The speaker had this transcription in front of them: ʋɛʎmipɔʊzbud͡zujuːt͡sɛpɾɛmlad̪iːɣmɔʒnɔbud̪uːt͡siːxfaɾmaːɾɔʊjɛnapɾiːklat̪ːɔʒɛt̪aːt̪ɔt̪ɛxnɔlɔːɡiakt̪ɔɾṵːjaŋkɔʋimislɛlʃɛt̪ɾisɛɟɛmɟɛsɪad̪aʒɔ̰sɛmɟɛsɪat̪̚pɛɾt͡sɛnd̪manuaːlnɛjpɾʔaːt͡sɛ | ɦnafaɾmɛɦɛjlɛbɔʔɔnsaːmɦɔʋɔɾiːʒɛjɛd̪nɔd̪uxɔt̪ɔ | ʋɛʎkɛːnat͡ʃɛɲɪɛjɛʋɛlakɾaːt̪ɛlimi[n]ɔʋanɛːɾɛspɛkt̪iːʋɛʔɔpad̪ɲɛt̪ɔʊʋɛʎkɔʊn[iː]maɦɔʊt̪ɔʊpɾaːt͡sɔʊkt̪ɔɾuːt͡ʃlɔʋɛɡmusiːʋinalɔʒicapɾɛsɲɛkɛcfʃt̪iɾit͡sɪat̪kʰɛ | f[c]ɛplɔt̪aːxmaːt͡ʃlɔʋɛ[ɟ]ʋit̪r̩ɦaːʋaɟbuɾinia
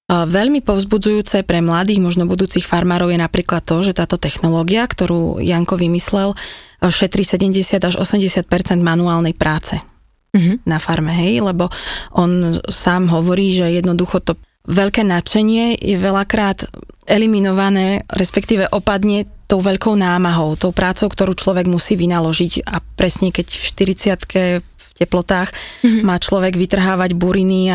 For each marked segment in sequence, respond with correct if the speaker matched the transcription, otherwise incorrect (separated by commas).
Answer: correct, incorrect, correct, incorrect